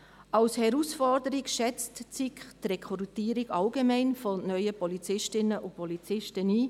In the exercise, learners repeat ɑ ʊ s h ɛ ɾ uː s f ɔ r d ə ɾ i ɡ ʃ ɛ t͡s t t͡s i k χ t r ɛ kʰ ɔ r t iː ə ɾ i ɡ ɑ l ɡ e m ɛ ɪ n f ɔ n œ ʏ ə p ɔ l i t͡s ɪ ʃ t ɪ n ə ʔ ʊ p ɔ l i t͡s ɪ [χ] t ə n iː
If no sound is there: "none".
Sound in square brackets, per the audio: ʃ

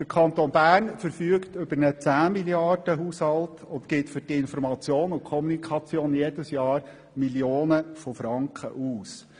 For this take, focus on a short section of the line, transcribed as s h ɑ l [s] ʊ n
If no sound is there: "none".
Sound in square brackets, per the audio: t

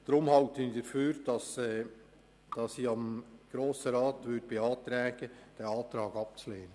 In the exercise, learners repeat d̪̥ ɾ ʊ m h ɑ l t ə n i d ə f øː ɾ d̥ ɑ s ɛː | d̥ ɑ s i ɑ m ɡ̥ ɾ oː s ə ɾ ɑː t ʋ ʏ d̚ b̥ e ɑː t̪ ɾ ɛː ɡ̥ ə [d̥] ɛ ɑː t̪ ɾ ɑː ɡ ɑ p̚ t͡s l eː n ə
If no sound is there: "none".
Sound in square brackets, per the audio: d̥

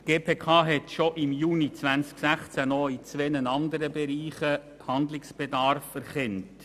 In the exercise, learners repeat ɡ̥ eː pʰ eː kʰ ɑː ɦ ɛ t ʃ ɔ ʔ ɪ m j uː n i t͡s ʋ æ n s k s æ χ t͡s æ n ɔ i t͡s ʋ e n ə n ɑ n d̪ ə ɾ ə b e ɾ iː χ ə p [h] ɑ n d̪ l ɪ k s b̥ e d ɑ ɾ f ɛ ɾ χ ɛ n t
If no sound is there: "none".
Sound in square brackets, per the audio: h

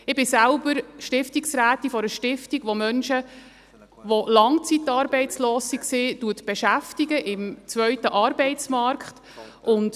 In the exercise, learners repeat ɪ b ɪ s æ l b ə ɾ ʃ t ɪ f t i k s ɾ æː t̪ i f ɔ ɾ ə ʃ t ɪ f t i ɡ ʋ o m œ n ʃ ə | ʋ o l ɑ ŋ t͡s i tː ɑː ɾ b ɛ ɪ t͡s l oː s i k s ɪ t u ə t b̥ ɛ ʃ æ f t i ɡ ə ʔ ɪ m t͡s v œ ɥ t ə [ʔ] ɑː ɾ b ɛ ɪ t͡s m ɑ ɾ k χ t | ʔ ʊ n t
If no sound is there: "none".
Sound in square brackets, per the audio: ʔ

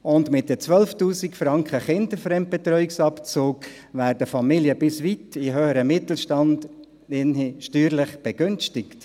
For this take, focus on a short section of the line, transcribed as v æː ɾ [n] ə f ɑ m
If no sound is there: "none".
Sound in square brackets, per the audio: d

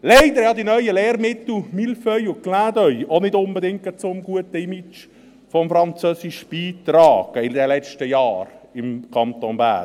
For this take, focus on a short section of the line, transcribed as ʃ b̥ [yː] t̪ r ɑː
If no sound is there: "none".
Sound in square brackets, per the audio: iː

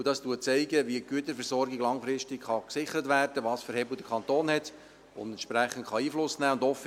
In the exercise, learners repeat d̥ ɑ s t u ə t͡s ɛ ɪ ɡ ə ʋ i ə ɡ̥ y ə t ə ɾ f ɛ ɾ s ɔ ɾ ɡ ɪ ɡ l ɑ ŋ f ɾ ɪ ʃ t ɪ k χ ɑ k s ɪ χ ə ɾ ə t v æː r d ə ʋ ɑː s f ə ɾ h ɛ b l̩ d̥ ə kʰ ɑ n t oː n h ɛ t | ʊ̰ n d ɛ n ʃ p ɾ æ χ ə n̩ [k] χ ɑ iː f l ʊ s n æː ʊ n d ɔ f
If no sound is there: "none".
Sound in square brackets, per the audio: t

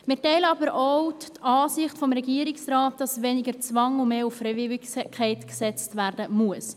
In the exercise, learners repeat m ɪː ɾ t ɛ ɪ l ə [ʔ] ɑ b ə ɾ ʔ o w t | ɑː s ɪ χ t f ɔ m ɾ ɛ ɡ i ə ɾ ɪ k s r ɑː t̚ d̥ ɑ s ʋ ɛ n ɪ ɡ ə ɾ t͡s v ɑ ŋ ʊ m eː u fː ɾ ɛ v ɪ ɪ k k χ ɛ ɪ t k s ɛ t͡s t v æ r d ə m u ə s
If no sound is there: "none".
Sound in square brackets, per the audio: none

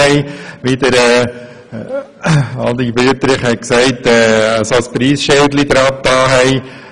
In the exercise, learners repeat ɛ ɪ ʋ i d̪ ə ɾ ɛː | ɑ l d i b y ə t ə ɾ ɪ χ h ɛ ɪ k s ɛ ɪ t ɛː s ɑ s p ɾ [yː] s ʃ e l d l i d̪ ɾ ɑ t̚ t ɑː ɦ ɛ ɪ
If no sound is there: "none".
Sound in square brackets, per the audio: iː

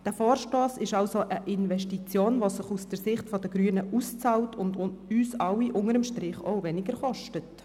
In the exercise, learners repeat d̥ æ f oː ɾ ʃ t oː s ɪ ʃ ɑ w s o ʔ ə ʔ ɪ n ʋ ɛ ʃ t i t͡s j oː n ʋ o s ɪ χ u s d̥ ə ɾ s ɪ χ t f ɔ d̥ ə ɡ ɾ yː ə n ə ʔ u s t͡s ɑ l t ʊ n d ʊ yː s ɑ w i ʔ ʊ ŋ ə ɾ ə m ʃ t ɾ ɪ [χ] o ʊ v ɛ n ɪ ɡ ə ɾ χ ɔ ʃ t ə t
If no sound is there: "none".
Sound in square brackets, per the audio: χ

